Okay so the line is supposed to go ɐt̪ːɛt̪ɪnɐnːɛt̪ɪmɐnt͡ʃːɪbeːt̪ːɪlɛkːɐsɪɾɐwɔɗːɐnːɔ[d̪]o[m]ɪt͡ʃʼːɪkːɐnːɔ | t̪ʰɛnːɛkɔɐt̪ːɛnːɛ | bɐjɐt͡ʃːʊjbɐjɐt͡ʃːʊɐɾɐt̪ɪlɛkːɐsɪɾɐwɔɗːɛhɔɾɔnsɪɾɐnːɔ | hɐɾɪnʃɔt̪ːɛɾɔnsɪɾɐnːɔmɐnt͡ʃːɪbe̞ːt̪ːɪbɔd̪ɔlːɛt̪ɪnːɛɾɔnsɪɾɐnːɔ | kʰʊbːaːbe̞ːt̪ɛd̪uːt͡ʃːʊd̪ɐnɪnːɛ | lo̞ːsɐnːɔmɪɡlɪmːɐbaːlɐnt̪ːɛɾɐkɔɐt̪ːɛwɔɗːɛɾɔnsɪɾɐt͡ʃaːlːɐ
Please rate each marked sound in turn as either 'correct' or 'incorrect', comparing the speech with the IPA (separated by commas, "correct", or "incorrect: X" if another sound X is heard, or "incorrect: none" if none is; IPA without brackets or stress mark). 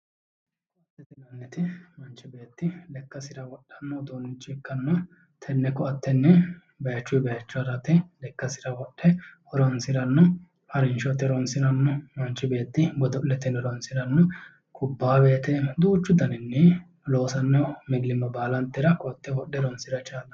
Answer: correct, incorrect: n